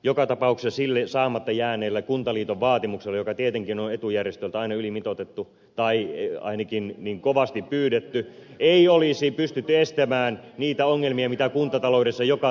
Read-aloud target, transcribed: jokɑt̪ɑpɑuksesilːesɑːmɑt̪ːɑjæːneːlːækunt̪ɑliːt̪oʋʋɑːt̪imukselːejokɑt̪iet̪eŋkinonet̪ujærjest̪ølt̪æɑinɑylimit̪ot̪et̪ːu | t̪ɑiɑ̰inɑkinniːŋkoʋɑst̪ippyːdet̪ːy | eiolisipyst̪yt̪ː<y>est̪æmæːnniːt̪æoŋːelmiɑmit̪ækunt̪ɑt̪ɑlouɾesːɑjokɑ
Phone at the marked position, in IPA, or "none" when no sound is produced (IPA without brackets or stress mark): y